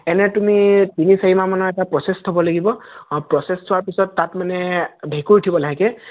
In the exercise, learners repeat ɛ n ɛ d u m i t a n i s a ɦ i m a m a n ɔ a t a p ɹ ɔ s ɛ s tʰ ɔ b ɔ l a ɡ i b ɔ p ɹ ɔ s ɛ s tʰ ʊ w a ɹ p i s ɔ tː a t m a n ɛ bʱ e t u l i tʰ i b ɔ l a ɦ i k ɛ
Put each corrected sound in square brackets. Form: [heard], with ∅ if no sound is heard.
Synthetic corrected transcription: ɛ n ɛ [t] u m i t [i] n i s a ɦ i m a m a n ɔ [ɛ] t a p ɹ ɔ s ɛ s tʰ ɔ b ɔ l a ɡ i b ɔ p ɹ ɔ s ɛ s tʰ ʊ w a ɹ p i s ɔ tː a t m a n ɛ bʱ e [k] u [ɹ] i tʰ i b ɔ l a ɦ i k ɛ